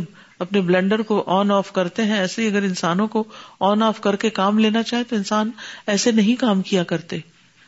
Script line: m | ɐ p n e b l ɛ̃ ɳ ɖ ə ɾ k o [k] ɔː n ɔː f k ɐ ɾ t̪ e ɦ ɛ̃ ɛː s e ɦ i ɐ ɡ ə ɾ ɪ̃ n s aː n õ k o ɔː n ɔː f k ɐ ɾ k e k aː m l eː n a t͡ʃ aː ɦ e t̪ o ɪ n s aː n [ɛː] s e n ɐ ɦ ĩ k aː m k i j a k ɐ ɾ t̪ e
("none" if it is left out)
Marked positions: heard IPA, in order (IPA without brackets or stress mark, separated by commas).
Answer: ʔ, ɛː